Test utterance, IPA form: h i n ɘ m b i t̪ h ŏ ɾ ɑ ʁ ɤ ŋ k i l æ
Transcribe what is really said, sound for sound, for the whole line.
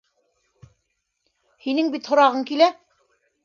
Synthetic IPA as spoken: h i n ɘ ŋ b i t̪ h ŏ ɾ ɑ ʁ ɤ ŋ k i l æ